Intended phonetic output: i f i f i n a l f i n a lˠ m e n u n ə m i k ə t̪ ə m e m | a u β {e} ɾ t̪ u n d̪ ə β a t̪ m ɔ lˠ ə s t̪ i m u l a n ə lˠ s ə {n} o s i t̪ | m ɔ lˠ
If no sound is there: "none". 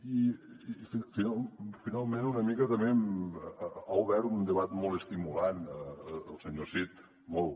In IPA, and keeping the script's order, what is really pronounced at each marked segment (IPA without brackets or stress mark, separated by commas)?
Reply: ɛ, ɲ